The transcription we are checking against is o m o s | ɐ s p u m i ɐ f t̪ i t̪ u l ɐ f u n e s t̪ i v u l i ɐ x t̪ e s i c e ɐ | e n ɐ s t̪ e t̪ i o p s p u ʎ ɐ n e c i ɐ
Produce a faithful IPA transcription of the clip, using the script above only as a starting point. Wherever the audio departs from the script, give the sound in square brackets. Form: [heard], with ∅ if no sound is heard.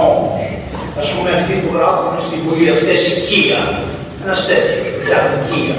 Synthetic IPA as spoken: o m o s | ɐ s p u m [e] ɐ f t̪ i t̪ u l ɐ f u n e s t̪ i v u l i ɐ [f] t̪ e s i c [i] ɐ | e n ɐ s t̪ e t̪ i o [∅] s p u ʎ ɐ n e c i ɐ